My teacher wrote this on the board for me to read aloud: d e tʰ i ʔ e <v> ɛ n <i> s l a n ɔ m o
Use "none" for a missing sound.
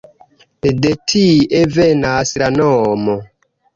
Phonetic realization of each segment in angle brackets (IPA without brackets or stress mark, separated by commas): v, a